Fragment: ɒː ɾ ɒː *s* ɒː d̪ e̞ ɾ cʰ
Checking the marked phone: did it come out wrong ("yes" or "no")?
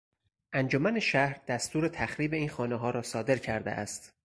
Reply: no